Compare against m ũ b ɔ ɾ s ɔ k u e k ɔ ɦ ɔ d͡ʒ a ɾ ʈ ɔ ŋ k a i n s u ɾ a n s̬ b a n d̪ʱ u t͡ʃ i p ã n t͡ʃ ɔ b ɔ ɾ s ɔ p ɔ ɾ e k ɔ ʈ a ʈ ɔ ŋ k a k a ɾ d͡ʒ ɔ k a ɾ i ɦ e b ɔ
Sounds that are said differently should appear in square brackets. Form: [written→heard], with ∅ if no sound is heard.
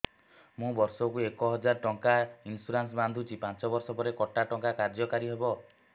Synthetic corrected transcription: m ũ b ɔ ɾ s ɔ k u e k ɔ ɦ ɔ d͡ʒ a ɾ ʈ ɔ ŋ k a i n s u ɾ a n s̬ b a n d̪ʱ u t͡ʃ i p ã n t͡ʃ ɔ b ɔ ɾ s ɔ p ɔ ɾ e k ɔ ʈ a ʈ ɔ ŋ k a k a ɾ d͡ʒ ɔ k a ɾ i ɦ e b ɔ